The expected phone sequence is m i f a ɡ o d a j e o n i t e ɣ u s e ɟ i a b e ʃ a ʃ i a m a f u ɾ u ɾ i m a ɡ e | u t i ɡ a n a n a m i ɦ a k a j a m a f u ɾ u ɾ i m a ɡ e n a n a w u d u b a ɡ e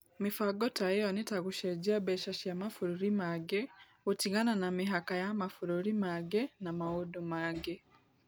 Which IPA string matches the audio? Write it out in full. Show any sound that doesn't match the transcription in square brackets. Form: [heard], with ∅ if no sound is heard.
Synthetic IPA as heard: m i f a ɡ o [t] a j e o n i t [a] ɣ u [ʃ] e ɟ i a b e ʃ a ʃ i a m a f u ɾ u ɾ i m a ɡ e | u t i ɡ a n a n a m i ɦ a k a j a m a f u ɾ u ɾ i m a ɡ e n a [m] a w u d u [m] a ɡ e